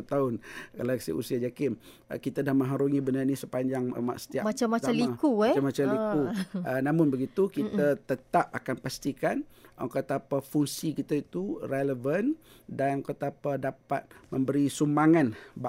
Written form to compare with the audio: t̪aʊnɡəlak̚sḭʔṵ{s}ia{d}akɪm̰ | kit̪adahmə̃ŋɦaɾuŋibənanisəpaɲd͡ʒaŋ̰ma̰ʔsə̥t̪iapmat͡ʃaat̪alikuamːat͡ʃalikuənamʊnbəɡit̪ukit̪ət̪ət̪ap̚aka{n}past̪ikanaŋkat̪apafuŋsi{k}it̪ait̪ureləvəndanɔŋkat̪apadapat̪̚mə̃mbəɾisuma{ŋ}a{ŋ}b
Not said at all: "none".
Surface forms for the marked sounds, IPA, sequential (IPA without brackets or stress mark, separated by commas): s, d͡ʒ, n, k, ŋ, n